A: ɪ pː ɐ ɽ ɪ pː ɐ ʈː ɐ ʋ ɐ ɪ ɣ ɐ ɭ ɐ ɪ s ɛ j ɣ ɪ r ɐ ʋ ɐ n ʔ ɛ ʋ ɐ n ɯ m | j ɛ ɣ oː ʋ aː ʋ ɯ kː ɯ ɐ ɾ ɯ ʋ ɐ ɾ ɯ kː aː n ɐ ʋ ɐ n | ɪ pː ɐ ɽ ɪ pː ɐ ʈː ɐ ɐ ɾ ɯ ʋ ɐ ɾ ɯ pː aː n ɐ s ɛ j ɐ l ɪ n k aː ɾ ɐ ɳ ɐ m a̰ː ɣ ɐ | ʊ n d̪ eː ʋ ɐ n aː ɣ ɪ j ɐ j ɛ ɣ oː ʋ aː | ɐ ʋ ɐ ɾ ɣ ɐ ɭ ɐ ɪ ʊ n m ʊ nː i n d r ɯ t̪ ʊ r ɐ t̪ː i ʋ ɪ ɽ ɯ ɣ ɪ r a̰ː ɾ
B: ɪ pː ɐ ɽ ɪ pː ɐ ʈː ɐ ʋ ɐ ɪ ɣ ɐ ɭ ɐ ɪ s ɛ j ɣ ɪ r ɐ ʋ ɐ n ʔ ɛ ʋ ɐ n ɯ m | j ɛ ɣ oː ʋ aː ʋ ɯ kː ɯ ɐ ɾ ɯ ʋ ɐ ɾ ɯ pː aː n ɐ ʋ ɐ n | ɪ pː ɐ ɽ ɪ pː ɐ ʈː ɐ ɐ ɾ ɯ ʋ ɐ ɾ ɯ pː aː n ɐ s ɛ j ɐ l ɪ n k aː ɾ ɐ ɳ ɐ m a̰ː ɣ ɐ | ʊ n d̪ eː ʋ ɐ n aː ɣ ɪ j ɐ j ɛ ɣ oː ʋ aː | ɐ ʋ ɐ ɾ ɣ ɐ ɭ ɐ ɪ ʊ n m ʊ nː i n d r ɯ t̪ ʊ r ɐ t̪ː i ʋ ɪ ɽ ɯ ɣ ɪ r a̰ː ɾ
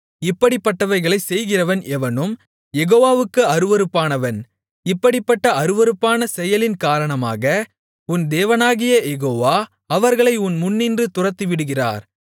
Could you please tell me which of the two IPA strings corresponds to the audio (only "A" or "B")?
B